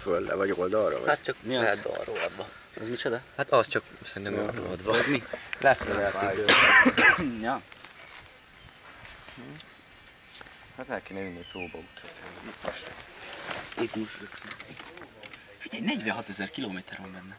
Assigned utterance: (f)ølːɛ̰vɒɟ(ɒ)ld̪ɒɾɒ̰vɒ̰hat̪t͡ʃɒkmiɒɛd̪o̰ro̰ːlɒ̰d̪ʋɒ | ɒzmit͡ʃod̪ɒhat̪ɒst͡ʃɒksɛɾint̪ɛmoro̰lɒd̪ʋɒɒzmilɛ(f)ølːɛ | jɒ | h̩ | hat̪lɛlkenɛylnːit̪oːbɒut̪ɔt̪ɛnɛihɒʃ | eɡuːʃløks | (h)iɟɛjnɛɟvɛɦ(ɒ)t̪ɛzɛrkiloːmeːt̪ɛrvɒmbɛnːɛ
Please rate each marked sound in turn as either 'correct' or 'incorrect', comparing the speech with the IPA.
correct, incorrect: o, correct, incorrect: f, correct

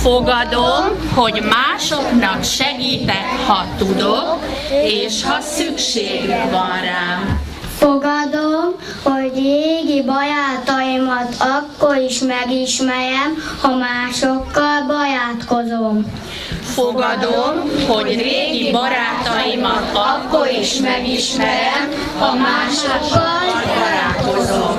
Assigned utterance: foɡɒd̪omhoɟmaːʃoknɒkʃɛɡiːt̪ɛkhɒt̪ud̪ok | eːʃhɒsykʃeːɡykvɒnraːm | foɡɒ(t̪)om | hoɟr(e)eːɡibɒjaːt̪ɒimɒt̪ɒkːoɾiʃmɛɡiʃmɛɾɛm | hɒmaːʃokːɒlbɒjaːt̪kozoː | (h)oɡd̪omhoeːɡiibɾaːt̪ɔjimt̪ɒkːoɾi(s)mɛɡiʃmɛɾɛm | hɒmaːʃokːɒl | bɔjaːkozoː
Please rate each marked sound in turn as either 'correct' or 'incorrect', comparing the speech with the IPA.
incorrect: d̪, correct, incorrect: f, incorrect: ʃ

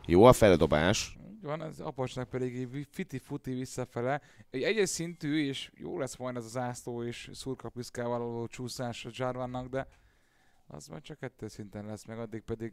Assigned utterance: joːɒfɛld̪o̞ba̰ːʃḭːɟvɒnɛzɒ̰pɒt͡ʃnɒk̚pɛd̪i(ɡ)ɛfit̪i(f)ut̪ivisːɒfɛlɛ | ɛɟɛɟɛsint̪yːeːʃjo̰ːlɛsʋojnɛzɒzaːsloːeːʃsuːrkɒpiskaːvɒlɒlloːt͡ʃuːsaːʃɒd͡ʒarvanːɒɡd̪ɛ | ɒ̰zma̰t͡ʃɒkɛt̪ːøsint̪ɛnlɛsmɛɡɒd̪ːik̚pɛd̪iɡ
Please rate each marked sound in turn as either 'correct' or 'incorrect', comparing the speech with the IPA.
correct, correct

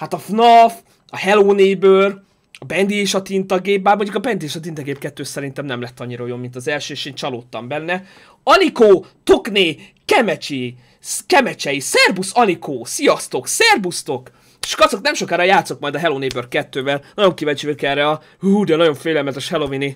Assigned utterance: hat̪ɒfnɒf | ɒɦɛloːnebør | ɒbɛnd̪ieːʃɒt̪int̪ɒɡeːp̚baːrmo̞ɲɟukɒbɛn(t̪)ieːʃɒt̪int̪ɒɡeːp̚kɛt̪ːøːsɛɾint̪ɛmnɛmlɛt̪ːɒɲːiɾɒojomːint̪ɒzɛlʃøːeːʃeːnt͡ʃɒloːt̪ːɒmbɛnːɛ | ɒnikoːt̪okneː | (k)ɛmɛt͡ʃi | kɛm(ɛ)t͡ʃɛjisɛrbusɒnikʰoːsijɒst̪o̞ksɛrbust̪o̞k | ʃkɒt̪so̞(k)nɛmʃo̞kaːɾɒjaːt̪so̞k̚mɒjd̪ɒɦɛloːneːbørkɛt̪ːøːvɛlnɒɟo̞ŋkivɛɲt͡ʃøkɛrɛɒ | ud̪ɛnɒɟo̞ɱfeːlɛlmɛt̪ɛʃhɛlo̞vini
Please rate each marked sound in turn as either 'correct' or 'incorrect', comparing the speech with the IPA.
incorrect: d̪, correct, correct, correct

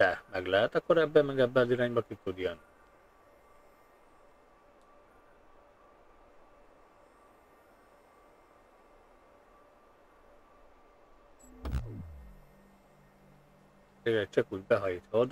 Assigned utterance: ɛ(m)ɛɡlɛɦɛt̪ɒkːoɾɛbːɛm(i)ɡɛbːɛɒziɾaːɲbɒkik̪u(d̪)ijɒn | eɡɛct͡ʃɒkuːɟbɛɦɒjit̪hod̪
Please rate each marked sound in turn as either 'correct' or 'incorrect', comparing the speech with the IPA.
correct, incorrect: ɛ, correct

